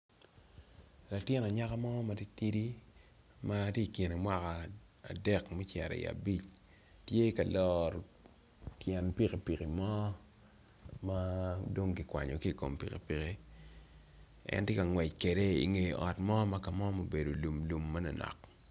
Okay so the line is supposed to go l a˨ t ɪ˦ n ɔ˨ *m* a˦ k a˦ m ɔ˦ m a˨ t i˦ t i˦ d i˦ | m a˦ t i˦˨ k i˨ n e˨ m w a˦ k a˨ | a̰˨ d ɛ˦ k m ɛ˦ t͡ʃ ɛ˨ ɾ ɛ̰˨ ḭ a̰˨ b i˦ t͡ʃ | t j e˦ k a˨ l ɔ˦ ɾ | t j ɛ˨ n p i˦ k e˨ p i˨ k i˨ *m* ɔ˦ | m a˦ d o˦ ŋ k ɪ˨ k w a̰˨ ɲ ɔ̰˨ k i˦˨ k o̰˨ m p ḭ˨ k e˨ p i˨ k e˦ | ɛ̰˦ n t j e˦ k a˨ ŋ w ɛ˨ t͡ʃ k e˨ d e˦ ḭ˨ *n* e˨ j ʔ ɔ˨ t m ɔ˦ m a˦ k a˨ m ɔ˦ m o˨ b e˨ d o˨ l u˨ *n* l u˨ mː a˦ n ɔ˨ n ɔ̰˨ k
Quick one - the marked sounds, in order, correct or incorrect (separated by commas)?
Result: incorrect, correct, incorrect, incorrect